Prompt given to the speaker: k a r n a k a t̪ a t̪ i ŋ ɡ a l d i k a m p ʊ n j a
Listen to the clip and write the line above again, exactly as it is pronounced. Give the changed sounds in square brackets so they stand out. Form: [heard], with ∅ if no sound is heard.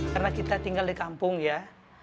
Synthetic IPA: k a r n a k [i] t̪ a t̪ i ŋ ɡ a l d i k a m p ʊ [ŋ] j a